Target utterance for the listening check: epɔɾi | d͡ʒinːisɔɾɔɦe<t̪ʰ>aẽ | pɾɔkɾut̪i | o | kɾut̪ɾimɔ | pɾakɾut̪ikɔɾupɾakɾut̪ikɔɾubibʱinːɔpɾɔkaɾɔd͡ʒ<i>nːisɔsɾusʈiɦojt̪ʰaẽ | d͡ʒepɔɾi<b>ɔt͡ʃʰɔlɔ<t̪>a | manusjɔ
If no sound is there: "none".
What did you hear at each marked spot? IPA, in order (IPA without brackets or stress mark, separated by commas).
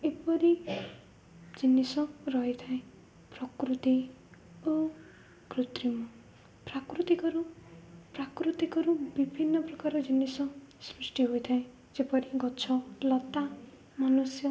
t̪ʰ, i, ɡ, t̪